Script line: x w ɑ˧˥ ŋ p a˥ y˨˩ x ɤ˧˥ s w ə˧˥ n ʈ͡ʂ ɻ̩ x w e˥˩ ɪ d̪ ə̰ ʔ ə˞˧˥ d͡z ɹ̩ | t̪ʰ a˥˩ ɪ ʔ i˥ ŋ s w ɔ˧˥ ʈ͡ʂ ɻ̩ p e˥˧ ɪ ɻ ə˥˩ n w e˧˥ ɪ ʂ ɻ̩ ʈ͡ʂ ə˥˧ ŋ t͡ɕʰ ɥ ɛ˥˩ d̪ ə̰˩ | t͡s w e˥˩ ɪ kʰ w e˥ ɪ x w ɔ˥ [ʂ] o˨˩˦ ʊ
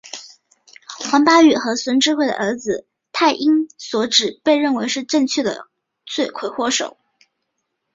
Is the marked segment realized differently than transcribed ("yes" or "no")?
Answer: no